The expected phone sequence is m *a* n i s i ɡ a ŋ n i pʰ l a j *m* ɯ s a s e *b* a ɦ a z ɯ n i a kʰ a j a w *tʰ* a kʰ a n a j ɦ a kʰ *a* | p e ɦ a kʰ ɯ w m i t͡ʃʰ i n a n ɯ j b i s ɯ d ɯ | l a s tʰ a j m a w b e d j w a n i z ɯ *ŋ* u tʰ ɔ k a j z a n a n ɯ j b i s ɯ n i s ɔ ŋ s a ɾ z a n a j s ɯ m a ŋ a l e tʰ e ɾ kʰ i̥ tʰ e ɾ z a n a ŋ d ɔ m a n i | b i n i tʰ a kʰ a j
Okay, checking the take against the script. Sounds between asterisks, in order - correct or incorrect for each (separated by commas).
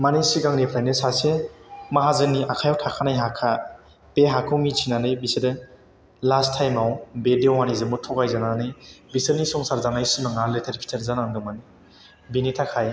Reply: correct, incorrect, incorrect, correct, correct, incorrect